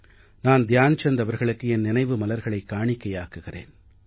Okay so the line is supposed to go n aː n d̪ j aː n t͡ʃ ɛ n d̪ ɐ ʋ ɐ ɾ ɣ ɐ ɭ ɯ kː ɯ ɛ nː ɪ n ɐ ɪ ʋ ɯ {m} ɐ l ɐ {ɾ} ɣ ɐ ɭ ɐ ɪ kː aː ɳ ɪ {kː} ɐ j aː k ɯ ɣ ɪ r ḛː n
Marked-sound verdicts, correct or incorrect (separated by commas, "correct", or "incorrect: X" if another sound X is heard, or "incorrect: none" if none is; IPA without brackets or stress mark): correct, correct, correct